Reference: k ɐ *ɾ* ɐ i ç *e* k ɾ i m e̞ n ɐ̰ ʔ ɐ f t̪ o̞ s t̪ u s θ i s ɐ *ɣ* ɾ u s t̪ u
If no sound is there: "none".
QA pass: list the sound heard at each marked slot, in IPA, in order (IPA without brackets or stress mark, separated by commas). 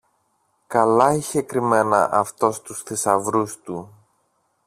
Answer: l, e, v